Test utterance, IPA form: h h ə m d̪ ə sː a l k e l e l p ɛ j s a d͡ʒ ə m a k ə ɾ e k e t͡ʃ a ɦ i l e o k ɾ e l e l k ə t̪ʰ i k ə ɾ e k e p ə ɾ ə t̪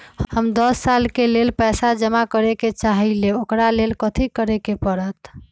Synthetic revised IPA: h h ə m d̪ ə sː a l k e l e l p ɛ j s a d͡ʒ ə m a k ə ɾ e k e t͡ʃ a ɦ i l e o k ɾ a l e l k ə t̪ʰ i k ə ɾ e k e p ə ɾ ə t̪

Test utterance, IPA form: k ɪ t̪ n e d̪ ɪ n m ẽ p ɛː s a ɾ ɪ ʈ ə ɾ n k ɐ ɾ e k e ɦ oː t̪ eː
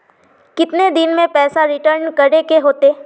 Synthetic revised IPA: k ɪ t̪ n e d̪ ɪ n m ẽ p ɛː s a ɾ ɪ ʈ ə ɾ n k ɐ ɾ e k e ɦ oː t̪ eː

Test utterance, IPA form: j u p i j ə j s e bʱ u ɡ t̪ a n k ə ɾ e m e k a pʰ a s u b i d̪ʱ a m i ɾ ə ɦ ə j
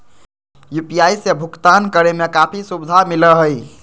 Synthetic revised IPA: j u p i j a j s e bʱ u k t̪ a n k ə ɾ e m e k a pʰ i s u b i d̪ʱ a m i l ə ɦ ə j

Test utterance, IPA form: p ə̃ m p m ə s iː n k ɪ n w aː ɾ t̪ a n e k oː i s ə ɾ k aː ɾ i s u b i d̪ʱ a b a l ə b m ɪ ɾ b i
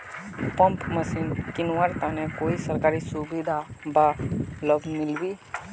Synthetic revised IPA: p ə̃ m p m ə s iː n k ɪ n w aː ɾ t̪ a n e k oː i s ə ɾ k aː ɾ i s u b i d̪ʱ a b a l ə b m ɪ l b i

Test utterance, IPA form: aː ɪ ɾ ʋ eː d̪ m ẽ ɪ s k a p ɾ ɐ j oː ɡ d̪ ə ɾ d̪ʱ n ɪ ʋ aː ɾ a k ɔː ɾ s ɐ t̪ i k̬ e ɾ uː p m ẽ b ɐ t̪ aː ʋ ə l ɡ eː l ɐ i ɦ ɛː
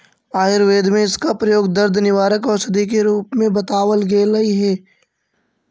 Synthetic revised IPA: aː ɪ ɾ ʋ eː d̪ m ẽ ɪ s k a p ɾ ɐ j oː ɡ d̪ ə ɾ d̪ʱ n ɪ ʋ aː ɾ ə k ɔː ɾ s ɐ d̪ i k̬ e ɾ uː p m ẽ b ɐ t̪ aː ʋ ə l ɡ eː l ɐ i ɦ ɛː

